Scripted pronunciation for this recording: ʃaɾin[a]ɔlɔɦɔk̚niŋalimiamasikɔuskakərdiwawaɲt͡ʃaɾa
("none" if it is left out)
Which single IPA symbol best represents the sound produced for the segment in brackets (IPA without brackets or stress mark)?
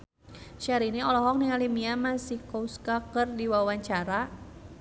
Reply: i